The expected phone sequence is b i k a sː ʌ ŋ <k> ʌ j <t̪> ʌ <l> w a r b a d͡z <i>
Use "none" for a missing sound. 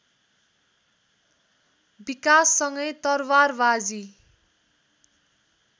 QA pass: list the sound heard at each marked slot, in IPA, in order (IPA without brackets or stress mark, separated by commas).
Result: ɡ, t̪, r, i